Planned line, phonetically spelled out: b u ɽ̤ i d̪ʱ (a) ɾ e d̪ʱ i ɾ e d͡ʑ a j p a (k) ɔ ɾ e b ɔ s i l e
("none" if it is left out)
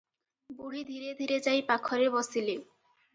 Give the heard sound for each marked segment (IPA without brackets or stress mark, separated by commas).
i, kʰ